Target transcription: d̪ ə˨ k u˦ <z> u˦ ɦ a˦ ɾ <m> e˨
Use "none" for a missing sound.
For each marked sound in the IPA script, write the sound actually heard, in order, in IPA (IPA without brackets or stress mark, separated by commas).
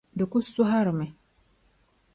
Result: s, m